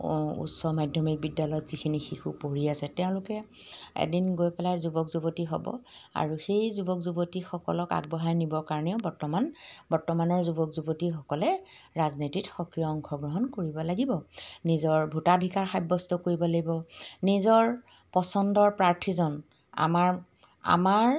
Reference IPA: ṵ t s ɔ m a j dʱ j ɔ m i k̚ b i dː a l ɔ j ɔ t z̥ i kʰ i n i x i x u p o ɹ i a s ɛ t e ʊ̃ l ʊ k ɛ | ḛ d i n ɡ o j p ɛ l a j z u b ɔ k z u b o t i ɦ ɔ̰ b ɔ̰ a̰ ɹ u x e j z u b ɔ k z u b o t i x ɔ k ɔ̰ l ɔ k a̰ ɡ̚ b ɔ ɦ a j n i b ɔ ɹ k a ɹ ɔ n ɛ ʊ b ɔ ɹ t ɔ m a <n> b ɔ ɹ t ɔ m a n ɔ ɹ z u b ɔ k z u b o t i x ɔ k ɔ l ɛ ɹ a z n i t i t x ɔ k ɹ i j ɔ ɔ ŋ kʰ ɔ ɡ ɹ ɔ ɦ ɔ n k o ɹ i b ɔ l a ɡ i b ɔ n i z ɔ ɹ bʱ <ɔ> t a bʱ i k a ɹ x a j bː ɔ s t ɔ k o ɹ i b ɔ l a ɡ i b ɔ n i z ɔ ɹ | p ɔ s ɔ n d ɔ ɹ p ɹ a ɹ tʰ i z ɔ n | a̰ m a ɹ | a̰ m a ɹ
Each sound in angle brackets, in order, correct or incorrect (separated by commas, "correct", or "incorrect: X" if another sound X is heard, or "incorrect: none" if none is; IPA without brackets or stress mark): correct, incorrect: u